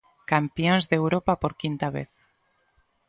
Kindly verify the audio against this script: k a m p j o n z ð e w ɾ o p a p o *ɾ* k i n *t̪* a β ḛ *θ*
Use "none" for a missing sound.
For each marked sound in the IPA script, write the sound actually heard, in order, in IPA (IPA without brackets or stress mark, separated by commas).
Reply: ɾ, t̪, θ